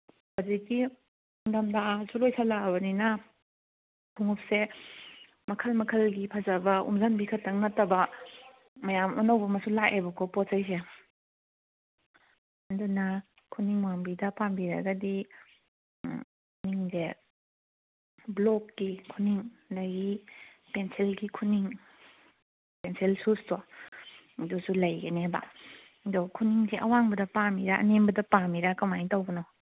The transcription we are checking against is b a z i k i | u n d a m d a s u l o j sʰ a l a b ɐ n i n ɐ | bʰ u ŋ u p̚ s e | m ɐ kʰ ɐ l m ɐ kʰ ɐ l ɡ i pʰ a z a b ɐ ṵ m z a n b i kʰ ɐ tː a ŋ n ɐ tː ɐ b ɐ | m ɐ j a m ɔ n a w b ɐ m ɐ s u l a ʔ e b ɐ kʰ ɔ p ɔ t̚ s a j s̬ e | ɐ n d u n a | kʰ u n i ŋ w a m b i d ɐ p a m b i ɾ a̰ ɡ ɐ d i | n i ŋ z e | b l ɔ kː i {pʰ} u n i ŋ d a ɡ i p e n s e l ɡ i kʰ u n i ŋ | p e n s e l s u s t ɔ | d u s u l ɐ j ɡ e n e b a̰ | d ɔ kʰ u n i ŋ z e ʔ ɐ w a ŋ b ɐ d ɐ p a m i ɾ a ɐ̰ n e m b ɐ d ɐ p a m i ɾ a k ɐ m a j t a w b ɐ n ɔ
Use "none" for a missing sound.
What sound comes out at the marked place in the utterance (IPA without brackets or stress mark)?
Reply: kʰ